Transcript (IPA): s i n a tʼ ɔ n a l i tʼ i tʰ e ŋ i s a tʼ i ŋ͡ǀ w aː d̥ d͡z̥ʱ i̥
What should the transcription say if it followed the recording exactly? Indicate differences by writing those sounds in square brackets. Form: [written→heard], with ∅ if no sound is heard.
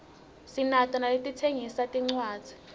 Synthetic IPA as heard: s i n a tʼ ɔ n a l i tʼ i tʰ e ŋ i s a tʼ i ŋ͡ǀ w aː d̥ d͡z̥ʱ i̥